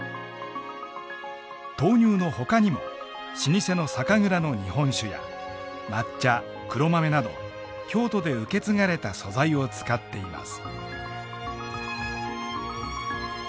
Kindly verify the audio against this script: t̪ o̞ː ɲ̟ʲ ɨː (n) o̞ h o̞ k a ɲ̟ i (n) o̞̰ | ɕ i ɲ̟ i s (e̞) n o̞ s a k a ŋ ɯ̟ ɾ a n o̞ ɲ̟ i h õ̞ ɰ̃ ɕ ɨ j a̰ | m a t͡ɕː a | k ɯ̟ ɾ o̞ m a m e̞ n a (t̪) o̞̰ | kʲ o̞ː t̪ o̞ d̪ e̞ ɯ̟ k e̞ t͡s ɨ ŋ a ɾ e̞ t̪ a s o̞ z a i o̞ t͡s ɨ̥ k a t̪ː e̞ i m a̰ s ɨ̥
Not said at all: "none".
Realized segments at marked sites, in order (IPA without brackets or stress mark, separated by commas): n, m, e̞, d̪